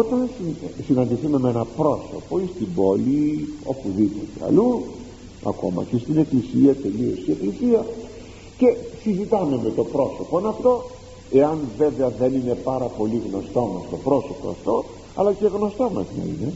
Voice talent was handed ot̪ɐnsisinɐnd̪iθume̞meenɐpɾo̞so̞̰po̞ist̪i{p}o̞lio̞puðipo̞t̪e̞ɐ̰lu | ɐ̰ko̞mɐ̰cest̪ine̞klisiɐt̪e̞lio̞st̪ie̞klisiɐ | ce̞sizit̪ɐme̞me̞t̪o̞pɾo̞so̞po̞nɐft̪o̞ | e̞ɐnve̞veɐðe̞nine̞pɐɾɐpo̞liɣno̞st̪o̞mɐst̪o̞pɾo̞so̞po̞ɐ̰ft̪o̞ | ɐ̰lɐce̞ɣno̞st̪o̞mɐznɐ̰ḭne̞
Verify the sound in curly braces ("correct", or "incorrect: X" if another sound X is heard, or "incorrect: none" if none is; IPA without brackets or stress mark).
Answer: incorrect: b